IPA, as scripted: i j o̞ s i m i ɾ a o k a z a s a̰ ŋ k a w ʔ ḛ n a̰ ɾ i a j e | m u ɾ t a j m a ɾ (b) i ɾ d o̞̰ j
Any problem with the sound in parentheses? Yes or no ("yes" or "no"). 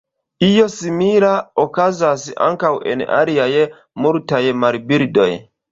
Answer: no